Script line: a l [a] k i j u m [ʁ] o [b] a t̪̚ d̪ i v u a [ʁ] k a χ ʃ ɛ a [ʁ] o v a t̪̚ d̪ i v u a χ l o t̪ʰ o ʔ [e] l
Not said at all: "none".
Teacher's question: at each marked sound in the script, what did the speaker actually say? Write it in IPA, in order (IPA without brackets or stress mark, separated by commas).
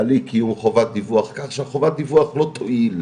i, χ, v, χ, χ, i